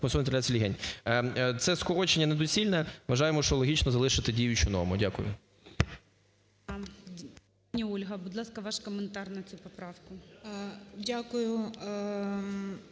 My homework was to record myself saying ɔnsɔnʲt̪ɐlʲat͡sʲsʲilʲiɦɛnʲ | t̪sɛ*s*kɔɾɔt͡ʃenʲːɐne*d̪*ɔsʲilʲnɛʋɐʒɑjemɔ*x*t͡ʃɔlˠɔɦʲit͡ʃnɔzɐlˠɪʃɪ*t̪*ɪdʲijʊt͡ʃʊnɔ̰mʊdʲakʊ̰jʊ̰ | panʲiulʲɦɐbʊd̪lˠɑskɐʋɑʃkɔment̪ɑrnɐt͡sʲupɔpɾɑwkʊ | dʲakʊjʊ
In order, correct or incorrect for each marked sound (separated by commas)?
correct, correct, incorrect, correct